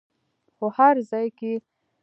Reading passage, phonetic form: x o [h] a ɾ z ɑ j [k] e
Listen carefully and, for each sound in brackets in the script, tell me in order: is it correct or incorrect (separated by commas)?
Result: correct, correct